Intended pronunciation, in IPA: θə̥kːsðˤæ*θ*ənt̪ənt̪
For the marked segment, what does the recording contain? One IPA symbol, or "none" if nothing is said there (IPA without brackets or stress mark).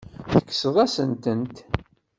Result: s